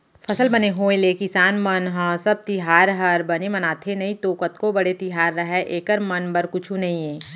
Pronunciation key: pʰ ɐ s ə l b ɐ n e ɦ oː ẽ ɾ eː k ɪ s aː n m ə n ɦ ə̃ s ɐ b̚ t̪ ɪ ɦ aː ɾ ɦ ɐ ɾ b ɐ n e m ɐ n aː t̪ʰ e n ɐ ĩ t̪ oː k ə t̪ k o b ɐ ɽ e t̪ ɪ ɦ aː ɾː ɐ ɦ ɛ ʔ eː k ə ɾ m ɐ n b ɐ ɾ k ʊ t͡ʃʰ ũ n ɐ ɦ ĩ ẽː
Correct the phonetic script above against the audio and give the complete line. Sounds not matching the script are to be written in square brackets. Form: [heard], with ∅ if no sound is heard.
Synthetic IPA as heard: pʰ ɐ s ə l b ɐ n e ɦ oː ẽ [l] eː k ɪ s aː n m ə n ɦ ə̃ s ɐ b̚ t̪ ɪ ɦ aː ɾ ɦ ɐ ɾ b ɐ n e m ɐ n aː t̪ʰ e n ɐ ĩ t̪ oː k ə t̪ k o b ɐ ɽ e t̪ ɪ ɦ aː ɾː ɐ ɦ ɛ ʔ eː k ə ɾ m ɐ n b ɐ ɾ k ʊ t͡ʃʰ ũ n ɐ ɦ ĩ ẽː